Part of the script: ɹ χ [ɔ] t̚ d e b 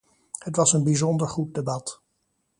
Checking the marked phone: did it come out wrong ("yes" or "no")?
yes